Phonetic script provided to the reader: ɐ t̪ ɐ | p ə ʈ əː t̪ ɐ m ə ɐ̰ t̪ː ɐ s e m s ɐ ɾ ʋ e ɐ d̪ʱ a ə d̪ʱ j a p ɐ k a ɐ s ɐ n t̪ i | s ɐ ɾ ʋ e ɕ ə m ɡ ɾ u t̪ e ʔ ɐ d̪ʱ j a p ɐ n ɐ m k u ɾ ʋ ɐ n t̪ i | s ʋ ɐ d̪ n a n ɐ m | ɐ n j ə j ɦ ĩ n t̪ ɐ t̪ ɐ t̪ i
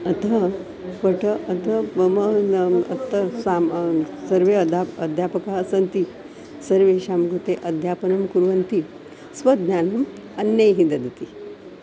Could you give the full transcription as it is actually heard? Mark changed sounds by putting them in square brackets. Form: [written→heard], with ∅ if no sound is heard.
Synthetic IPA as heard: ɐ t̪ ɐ | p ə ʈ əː t̪ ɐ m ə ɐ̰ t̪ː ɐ s [e→a] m s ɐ ɾ ʋ e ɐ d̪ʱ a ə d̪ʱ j a p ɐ k a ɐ s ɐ n t̪ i | s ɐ ɾ ʋ e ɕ [ə→a] m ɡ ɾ u t̪ e ʔ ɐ d̪ʱ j a p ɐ n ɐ m k u ɾ ʋ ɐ n t̪ i | s ʋ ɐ d̪ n a n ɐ m | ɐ n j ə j ɦ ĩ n [t̪→d̪] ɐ [t̪→d̪] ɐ t̪ i